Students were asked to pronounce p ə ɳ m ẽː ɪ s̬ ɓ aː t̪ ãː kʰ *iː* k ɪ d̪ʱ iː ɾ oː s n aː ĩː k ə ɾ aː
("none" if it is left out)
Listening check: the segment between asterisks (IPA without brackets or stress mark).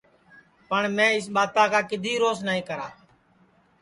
aː